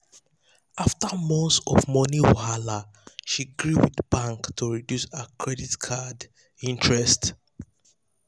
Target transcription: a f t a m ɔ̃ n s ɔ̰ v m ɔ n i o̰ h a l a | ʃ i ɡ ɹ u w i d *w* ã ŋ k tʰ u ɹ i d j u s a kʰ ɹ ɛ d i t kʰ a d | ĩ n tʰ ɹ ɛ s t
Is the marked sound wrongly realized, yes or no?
yes